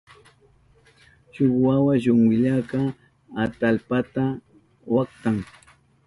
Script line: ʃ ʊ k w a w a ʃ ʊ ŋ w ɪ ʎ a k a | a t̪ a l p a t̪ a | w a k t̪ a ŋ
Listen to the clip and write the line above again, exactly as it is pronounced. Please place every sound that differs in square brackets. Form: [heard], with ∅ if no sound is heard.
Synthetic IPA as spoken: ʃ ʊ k w a w a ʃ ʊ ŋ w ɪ ʎ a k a | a t̪ a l p a t̪ a | w a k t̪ a ŋ